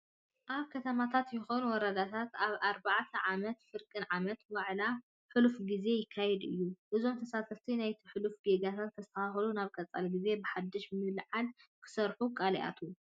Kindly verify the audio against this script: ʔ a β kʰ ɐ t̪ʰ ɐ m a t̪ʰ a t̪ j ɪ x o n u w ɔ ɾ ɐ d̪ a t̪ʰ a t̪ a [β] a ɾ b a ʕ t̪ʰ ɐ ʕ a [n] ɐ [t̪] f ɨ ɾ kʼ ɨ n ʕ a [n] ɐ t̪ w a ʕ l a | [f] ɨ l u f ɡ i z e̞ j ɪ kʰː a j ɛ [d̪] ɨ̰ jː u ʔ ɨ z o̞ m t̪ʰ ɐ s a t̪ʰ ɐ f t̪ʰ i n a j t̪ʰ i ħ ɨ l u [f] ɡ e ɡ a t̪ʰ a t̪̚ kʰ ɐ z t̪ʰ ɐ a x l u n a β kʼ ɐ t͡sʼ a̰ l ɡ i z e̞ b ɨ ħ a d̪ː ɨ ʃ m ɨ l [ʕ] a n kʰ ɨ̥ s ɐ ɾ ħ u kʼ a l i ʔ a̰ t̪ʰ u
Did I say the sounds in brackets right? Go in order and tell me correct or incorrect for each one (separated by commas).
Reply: correct, incorrect, correct, incorrect, incorrect, correct, correct, correct